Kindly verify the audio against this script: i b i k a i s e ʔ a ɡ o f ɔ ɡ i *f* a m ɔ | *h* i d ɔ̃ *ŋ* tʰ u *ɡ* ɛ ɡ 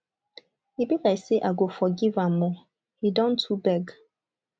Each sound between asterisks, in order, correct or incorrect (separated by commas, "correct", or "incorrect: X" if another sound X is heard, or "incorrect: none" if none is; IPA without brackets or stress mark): incorrect: v, correct, incorrect: n, incorrect: b